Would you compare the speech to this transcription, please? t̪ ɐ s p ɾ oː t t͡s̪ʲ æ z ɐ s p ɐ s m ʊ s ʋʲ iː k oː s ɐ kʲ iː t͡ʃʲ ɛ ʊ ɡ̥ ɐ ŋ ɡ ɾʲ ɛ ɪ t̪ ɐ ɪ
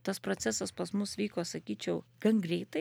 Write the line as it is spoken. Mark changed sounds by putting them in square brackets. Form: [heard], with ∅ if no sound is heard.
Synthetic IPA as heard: t̪ ɐ s p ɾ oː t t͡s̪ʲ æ [s] ɐ s p ɐ s m ʊ s ʋʲ iː k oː s ɐ kʲ iː t͡ʃʲ ɛ ʊ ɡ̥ ɐ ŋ ɡ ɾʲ ɛ ɪ t̪ ɐ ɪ